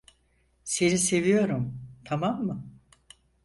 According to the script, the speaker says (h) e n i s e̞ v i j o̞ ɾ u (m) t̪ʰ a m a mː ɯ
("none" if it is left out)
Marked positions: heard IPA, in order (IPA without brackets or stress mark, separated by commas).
s, m